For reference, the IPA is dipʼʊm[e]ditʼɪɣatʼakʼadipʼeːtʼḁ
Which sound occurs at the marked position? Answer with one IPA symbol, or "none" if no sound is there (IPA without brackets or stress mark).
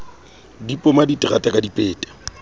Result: a